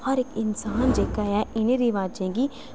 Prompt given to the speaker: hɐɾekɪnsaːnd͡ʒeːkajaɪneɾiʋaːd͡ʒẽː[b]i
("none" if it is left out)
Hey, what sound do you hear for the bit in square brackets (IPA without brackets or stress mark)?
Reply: ɡ